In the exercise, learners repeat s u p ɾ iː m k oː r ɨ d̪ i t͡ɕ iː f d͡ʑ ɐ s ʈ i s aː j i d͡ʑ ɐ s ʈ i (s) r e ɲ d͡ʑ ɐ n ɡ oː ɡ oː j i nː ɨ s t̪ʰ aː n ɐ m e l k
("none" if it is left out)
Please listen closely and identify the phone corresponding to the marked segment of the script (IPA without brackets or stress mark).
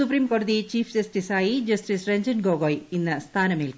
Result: s